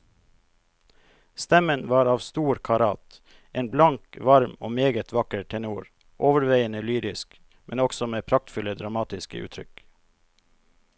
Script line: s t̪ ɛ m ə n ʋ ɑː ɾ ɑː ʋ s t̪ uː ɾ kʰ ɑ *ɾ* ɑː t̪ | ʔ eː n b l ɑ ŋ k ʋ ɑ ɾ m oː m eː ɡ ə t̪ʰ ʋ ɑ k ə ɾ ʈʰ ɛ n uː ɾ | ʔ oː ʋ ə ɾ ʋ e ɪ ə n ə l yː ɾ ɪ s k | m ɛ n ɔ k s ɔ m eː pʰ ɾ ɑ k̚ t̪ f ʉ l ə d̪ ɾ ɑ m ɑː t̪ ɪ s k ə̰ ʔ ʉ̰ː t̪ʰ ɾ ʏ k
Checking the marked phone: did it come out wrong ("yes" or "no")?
no